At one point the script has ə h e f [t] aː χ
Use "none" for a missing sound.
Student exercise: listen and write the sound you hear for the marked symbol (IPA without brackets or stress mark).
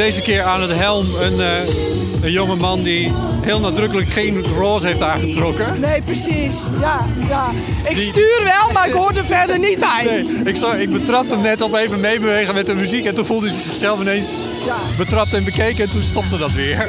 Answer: t